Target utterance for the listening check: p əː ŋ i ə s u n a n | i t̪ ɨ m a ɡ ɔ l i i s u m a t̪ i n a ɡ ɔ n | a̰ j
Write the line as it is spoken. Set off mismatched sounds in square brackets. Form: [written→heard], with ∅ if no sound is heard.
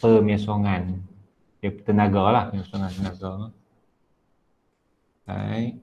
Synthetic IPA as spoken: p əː [ŋ→m] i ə s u [n→ŋ] a n | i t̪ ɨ [m→n] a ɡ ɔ l [i→a] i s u [m→ŋ] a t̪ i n a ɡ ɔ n | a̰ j